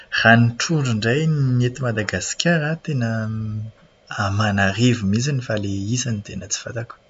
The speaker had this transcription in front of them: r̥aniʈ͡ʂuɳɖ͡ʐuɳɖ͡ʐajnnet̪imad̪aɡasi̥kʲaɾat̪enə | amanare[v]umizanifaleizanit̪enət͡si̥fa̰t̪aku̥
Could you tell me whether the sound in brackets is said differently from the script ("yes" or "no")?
no